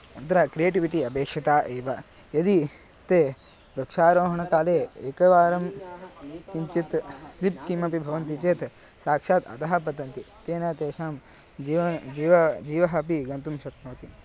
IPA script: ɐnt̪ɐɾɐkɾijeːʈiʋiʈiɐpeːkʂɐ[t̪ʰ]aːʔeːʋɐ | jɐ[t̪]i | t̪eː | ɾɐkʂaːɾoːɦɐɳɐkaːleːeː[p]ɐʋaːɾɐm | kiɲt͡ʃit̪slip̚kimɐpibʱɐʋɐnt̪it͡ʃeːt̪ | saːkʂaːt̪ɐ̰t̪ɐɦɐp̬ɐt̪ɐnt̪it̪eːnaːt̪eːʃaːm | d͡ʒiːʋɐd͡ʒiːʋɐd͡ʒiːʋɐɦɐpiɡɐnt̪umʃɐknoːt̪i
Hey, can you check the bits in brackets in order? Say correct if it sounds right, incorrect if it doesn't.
incorrect, incorrect, incorrect

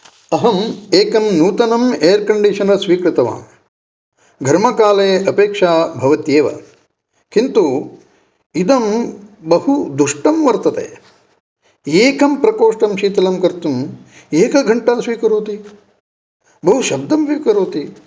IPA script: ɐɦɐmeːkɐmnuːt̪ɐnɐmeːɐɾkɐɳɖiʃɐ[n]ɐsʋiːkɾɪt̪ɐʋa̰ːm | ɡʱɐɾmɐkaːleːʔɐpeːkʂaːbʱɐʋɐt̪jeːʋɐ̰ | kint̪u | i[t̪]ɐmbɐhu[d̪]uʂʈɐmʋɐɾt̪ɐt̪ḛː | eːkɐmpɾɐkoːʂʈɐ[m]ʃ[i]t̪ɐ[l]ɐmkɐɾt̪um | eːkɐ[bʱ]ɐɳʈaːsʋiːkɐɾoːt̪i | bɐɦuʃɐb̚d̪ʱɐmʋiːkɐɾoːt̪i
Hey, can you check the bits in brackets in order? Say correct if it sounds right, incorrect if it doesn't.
correct, incorrect, correct, correct, incorrect, correct, incorrect

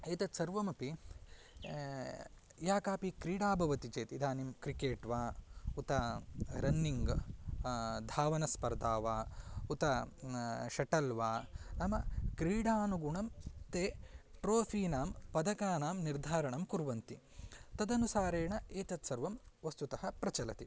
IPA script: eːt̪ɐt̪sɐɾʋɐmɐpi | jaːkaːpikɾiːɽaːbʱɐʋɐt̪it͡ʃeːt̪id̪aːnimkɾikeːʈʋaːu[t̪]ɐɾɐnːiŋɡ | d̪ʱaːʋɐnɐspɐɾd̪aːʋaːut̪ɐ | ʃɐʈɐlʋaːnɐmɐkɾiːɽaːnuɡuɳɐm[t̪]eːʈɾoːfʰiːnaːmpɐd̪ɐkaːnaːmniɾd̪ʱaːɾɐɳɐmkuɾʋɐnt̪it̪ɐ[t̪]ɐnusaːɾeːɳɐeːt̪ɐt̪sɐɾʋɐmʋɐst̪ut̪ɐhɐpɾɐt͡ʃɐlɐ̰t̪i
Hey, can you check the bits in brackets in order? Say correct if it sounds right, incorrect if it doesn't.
correct, correct, incorrect

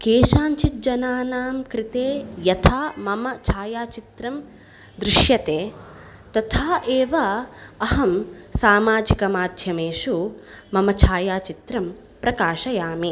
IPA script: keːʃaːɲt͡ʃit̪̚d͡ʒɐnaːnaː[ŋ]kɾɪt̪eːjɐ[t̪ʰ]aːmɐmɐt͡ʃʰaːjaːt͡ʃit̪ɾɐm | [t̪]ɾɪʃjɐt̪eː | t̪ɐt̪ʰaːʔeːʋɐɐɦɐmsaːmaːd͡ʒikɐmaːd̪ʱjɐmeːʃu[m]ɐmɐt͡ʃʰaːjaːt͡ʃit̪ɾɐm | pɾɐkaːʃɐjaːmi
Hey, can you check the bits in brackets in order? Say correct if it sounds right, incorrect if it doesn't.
incorrect, correct, incorrect, correct

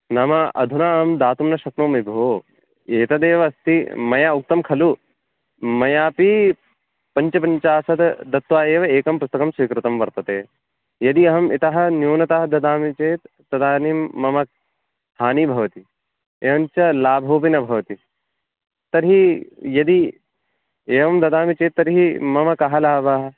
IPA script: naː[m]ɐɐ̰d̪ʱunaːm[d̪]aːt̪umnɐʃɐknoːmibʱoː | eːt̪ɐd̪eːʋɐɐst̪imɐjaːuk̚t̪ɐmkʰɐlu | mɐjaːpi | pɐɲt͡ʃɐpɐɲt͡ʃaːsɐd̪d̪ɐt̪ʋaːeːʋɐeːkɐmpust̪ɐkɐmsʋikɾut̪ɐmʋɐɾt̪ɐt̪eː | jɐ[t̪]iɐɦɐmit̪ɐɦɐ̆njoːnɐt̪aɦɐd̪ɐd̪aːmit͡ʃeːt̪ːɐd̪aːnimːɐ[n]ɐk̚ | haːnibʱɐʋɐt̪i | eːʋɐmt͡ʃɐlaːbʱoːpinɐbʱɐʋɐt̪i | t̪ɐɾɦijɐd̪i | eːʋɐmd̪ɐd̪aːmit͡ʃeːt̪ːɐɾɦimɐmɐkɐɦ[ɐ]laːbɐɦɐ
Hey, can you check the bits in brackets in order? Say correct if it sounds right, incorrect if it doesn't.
correct, correct, incorrect, incorrect, correct

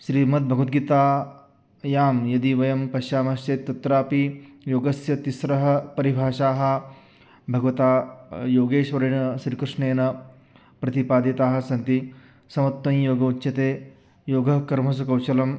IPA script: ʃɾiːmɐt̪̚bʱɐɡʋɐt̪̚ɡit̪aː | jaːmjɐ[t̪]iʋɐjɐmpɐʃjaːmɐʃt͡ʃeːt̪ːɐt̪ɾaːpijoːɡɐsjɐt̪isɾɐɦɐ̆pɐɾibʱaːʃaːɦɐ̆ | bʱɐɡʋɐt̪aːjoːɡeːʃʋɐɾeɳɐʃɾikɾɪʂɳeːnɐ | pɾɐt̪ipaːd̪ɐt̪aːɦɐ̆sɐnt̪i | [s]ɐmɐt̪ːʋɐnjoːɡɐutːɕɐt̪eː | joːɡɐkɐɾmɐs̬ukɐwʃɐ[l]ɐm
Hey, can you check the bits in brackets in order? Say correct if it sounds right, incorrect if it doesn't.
incorrect, correct, correct

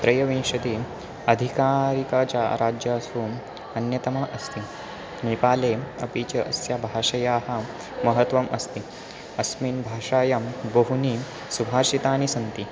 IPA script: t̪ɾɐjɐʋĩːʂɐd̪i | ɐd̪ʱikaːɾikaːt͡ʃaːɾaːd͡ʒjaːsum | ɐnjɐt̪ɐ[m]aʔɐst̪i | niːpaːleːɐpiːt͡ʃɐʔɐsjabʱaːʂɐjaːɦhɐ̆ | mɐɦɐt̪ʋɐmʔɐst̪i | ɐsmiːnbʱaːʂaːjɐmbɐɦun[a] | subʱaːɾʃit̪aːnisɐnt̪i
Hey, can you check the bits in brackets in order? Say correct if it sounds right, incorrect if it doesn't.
correct, incorrect

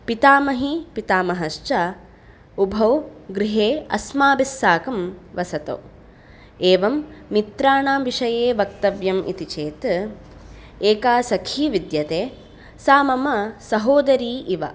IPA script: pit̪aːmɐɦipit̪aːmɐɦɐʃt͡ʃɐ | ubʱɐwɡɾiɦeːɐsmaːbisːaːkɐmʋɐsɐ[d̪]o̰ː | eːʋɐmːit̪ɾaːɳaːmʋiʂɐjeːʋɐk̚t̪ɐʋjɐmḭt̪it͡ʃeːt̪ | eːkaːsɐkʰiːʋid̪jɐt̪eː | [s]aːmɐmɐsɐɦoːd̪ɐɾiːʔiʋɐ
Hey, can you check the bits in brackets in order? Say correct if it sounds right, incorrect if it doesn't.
incorrect, correct

